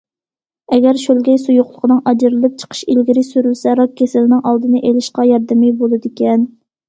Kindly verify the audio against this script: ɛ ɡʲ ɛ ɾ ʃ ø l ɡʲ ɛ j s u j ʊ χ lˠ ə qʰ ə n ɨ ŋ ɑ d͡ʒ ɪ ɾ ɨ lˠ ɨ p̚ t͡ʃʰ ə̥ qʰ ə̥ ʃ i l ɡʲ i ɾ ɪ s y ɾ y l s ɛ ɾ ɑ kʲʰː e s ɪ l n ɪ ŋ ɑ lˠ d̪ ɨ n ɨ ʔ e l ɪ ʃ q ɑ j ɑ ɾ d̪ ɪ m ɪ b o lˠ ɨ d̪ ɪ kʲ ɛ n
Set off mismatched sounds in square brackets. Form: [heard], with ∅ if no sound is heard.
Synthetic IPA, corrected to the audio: ɛ ɡʲ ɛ ɾ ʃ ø l ɡʲ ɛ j s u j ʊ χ lˠ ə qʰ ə n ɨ ŋ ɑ d͡ʒ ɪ ɾ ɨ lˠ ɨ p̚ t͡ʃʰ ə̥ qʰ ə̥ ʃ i l ɡʲ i ɾ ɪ s y ɾ y l s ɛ ɾ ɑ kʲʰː e s ɪ l n ɪ ŋ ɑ lˠ d̪ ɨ n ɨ ʔ e l ɪ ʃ q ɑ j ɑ ɾ d̪ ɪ m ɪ b o lˠ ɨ d̪ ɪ kʲ ɛ n